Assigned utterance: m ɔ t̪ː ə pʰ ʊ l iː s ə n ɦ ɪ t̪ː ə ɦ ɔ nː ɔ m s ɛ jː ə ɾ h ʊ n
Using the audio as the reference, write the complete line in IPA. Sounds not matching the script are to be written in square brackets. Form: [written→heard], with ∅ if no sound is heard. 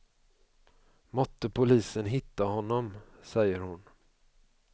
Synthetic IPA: m ɔ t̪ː ə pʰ ʊ l iː s ə n ɦ ɪ t̪ː [ə→a] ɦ ɔ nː ɔ m s ɛ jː ə ɾ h ʊ n